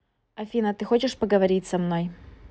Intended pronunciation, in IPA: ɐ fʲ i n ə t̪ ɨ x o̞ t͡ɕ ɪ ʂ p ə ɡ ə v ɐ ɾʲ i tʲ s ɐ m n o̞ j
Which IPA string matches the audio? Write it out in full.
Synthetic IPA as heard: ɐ fʲ i n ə t̪ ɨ x o̞ t͡ɕ ɪ ʂ p ə ɡ ə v ɐ ɾʲ i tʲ s ɐ m n o̞ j